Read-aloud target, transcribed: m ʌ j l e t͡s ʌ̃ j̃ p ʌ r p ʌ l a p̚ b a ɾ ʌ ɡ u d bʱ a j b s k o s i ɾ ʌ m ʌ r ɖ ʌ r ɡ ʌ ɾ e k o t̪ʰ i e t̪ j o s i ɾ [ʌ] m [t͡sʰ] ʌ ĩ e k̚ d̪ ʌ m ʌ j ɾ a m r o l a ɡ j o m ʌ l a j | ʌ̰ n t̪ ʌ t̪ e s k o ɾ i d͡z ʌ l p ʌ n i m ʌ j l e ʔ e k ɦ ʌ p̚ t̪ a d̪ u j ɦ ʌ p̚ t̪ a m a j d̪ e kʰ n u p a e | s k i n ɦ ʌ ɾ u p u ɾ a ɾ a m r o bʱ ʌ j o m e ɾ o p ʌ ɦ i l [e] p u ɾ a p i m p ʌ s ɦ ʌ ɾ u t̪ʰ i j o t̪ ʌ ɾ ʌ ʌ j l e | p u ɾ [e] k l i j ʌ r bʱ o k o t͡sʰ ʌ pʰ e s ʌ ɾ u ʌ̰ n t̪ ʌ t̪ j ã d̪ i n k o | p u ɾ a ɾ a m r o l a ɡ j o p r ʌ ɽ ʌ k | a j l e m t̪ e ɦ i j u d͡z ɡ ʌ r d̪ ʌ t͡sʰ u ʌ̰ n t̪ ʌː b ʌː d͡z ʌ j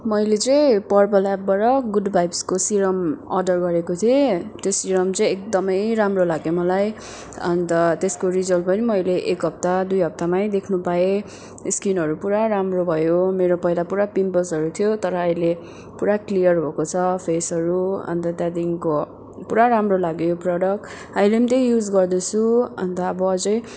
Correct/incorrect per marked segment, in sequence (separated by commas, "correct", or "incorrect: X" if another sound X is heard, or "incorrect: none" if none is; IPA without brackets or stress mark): correct, incorrect: t͡s, incorrect: a, incorrect: a